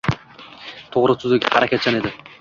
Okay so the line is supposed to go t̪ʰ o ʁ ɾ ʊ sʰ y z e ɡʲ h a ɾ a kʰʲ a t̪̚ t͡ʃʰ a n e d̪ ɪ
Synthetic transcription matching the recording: t̪ʰ o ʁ ɾ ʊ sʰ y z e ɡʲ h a ɾ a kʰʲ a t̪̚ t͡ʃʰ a n e d̪ ɪ